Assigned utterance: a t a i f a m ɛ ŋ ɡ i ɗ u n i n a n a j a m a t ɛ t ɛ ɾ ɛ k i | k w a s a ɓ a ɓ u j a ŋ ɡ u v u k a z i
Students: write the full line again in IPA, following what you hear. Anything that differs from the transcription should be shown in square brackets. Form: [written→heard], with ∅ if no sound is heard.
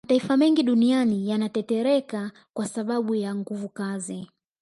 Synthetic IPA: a t a i f a m ɛ ŋ ɡ i ɗ u n i [n→∅] a n [a→i] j a [m→n] a t ɛ t ɛ ɾ ɛ k [i→a] | k w a s a ɓ a ɓ u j a ŋ ɡ u v u k a z i

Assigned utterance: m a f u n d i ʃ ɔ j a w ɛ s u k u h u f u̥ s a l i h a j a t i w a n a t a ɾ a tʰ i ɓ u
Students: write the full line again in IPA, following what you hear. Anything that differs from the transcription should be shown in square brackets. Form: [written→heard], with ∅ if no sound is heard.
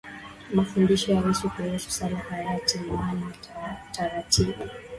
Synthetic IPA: m a f u n d i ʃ ɔ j a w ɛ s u k u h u [f→s] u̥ s a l [i→a] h a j a t i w a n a t a ɾ a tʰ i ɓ u

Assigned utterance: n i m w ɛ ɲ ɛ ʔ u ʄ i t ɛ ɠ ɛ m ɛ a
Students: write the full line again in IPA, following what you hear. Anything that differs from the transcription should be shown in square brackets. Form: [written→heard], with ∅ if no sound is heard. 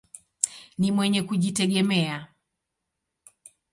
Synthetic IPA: n i m w ɛ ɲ ɛ [ʔ→k] u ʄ i t ɛ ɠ ɛ m ɛ a

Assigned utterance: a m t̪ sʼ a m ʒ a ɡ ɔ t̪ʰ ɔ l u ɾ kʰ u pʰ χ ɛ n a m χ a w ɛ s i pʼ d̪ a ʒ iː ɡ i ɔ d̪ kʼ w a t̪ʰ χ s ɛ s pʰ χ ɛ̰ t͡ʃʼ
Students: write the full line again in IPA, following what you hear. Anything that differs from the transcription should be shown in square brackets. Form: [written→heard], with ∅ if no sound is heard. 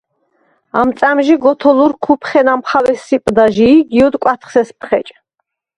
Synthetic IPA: a m t̪ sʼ a m ʒ [a→i] ɡ ɔ t̪ʰ ɔ l u ɾ kʰ u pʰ χ ɛ n a m χ a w ɛ s i pʼ d̪ a ʒ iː ɡ i ɔ d̪ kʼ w a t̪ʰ χ s ɛ s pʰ χ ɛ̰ t͡ʃʼ

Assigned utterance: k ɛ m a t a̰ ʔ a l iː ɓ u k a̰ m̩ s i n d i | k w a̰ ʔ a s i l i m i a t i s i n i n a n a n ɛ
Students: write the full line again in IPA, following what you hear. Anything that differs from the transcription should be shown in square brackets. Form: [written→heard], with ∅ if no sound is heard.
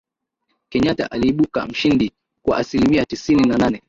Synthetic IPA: k ɛ [m→ɲ] a t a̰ ʔ a l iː ɓ u k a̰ m̩ [s→ʃ] i n d i | k w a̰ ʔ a s i l i m i a t i s i n i n a n a n ɛ

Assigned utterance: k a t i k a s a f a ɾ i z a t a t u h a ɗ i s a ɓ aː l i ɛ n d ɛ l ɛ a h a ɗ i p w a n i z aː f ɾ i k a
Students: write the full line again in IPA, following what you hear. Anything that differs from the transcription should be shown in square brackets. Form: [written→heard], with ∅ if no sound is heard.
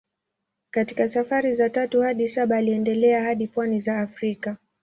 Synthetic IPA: k a t i k a s a f a ɾ i z a t a t u h a ɗ i s a ɓ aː l i ɛ n d ɛ l ɛ a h a ɗ i p w a n i z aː f ɾ i k a

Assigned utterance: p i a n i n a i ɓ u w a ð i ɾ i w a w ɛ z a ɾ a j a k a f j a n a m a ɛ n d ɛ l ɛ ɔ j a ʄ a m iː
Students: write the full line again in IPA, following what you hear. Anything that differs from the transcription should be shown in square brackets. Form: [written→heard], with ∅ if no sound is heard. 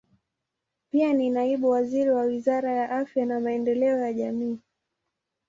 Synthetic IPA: p i a n i n a i ɓ u w a [ð→z] i ɾ i w a w [ɛ→i] z a ɾ a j a [k→ʔ] a f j a n a m a ɛ n d ɛ l ɛ ɔ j a ʄ a m iː

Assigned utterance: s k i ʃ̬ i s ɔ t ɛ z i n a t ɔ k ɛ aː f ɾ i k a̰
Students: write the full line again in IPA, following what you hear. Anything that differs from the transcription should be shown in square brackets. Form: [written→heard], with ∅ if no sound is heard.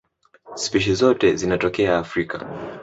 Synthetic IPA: s [k→p] i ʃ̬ i [s→z] ɔ t ɛ z i n a t ɔ k ɛ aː f ɾ i k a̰

